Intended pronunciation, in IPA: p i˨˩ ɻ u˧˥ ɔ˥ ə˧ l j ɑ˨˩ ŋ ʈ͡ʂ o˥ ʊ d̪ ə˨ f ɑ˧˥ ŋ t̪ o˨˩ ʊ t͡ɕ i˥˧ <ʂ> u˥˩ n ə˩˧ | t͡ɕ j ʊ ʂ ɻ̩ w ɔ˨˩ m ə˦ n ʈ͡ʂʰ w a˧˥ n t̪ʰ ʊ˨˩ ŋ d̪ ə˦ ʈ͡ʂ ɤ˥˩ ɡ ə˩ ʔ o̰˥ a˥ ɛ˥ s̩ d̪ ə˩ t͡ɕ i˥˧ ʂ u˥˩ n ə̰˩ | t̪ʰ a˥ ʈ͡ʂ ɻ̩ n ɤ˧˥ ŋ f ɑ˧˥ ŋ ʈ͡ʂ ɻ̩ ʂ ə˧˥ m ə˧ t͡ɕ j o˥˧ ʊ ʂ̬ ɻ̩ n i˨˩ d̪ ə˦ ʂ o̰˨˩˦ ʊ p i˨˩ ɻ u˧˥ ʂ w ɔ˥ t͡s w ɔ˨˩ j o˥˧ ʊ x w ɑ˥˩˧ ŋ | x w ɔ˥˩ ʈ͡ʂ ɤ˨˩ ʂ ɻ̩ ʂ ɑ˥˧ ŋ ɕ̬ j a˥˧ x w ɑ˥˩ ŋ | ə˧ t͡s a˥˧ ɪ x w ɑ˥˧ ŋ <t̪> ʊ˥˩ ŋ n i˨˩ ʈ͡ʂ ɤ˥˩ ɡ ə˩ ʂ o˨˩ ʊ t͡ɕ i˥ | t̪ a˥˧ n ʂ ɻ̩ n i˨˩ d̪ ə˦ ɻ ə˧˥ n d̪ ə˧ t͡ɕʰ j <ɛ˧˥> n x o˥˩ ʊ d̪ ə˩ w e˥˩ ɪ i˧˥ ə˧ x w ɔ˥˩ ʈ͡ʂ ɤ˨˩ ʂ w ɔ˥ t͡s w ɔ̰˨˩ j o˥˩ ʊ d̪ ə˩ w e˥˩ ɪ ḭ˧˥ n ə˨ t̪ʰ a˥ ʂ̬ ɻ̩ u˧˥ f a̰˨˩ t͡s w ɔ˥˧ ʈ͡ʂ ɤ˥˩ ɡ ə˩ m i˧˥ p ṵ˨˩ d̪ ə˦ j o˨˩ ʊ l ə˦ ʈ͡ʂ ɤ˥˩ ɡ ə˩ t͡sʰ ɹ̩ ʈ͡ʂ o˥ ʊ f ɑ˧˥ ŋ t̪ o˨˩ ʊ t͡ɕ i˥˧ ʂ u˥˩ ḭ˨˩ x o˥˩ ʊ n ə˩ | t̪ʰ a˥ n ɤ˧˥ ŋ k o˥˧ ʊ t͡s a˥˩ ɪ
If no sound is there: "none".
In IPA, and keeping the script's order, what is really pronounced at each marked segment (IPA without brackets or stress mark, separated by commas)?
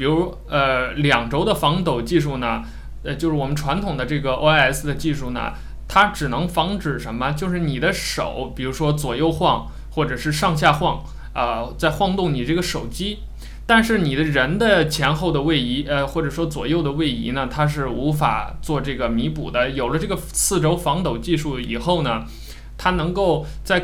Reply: ʂ, t̪, ɛ˧˥